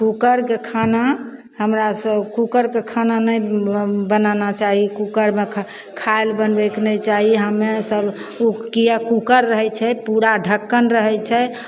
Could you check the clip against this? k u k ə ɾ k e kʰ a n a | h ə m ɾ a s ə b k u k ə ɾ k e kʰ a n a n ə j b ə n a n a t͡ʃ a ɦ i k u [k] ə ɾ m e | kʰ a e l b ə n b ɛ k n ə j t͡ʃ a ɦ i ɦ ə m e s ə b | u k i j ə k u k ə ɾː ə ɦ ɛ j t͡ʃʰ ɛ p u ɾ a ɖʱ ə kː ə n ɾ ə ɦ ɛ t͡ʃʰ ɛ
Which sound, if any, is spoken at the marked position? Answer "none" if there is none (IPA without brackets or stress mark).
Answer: k